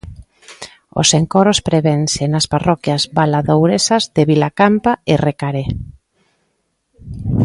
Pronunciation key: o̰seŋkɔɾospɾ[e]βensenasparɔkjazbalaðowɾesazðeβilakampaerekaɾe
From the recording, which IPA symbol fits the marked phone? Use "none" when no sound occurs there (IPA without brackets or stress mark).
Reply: e